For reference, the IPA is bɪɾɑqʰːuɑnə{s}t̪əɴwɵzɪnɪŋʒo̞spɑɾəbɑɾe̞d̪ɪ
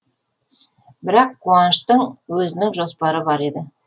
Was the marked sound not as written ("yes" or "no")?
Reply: yes